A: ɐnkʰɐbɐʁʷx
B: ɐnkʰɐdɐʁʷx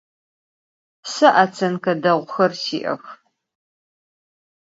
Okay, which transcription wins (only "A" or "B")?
B